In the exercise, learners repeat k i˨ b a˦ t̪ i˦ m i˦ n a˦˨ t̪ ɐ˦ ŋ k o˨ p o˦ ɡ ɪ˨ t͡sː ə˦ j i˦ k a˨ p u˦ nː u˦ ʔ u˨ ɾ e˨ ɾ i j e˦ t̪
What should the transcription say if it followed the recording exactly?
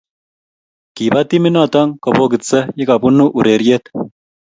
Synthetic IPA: k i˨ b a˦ t̪ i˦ m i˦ n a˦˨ t̪ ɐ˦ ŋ k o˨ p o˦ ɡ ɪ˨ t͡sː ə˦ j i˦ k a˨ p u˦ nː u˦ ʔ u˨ ɾ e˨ ɾ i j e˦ t̪